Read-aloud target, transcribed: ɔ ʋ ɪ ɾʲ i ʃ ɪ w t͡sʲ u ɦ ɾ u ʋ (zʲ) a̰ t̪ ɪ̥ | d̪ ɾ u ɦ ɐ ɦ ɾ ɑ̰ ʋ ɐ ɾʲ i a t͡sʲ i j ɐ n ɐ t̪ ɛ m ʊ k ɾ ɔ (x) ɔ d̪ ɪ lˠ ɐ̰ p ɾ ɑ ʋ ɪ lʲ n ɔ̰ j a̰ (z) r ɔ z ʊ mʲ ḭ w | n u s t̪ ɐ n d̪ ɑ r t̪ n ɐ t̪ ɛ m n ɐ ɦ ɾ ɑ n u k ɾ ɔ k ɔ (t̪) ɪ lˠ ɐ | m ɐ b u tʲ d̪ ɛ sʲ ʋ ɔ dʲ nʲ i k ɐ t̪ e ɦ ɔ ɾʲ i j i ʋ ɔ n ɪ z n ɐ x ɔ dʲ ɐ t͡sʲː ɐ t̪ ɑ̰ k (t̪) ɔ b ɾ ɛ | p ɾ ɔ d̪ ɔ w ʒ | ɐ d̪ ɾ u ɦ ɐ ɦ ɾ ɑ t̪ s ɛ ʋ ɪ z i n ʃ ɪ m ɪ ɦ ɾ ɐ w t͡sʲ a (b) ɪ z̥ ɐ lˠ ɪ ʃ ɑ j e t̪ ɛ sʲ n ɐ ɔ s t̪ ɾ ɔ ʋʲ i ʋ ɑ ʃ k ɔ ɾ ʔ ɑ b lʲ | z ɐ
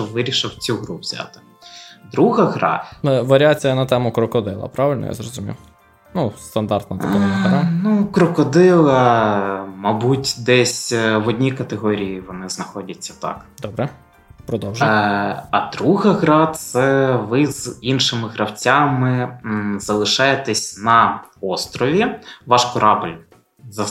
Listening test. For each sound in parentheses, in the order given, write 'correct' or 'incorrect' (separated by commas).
correct, incorrect, correct, incorrect, incorrect, incorrect